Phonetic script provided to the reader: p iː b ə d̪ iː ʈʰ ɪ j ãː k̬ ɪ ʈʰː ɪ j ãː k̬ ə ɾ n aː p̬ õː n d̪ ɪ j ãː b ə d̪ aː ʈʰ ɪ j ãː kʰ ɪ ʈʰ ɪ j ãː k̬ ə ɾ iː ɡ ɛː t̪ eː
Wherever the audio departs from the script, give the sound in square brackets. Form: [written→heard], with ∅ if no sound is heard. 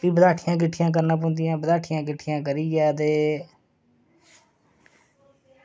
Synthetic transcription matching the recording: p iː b ə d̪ [iː→aː] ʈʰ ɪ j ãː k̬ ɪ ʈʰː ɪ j ãː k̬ ə ɾ n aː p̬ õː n d̪ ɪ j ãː b ə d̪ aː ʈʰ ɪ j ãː [kʰ→k] ɪ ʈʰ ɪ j ãː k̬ ə ɾ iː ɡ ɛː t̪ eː